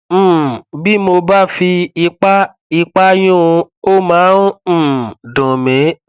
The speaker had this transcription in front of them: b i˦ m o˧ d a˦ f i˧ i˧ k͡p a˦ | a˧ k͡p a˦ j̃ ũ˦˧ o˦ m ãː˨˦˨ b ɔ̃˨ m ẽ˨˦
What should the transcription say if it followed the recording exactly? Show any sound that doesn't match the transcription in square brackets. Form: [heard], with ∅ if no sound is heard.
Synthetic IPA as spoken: b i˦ m o˧ [b] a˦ f i˧ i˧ k͡p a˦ | [i˧] k͡p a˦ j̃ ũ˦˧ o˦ m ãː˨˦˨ [d] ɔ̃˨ m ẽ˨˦

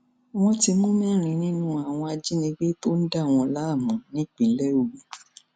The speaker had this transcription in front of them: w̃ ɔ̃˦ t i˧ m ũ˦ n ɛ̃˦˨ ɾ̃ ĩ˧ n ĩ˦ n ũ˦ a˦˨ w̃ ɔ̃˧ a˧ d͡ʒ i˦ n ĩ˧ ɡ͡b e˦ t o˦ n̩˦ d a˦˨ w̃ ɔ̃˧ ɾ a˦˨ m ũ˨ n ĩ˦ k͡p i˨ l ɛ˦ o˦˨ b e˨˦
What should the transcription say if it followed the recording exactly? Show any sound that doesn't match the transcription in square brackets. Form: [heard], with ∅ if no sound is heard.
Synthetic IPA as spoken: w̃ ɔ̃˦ t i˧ m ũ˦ [m] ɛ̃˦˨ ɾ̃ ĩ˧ n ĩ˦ n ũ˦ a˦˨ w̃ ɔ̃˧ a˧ d͡ʒ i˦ n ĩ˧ ɡ͡b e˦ t o˦ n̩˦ d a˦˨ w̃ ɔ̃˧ [l] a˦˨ m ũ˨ n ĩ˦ k͡p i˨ l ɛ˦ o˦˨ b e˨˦

